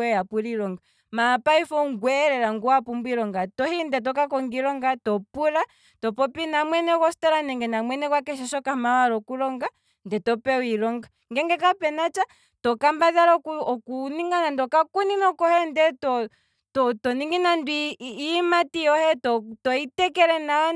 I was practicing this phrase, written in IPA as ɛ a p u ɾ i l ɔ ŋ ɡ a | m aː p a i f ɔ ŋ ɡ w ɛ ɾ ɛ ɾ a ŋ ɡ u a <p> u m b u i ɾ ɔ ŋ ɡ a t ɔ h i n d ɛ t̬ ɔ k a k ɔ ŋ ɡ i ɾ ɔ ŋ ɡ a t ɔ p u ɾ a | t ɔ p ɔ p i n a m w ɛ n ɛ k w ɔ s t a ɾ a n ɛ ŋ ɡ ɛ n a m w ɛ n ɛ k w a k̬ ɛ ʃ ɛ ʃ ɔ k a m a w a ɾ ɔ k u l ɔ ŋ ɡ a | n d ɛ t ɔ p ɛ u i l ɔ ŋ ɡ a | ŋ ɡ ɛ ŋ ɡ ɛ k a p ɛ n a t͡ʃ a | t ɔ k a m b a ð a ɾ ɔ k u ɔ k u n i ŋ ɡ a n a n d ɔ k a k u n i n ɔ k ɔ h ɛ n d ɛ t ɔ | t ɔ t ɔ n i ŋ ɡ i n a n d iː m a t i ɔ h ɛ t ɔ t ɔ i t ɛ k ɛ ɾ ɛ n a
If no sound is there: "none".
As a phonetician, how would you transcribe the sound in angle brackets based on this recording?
p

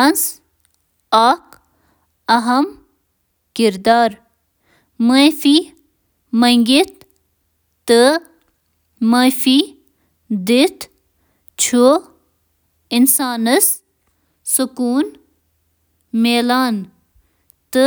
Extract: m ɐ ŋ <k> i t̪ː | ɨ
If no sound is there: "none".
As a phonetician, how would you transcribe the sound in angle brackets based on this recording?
ɡ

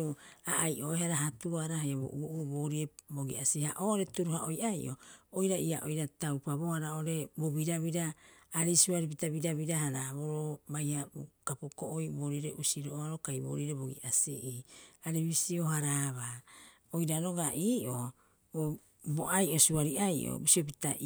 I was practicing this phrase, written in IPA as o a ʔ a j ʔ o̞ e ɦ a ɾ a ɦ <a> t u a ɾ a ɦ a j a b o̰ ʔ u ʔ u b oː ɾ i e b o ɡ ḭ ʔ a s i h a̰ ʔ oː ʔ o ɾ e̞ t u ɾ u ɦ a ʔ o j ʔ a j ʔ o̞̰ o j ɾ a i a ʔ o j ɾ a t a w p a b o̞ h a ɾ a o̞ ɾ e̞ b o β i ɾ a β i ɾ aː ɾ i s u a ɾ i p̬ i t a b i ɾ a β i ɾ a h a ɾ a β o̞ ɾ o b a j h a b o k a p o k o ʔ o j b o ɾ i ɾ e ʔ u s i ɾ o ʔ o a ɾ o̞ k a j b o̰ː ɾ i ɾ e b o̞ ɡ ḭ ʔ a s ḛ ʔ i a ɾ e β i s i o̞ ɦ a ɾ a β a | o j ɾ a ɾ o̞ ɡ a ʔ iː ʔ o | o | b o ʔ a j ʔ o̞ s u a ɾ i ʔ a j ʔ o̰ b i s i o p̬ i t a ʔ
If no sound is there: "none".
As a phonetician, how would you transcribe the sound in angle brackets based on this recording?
a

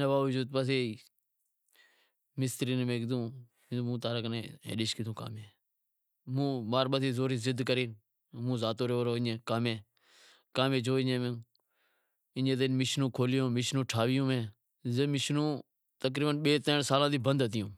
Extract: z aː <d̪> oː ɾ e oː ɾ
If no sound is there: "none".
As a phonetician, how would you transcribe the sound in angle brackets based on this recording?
t̪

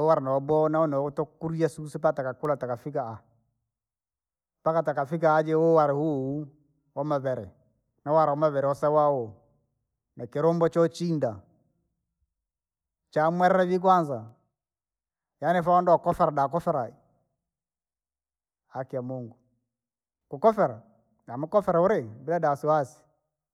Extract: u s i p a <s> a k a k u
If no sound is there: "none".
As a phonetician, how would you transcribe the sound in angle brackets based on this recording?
t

